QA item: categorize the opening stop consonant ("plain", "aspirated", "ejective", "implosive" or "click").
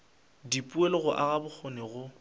plain